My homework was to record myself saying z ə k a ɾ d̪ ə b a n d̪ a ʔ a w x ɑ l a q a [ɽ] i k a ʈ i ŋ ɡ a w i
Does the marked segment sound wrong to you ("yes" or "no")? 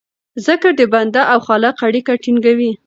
no